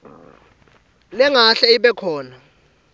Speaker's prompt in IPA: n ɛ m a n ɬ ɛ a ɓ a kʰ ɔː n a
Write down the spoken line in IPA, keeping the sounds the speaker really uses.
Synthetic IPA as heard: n ɛ ŋ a ɬ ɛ i ɓ ɛ kʰ ɔː n a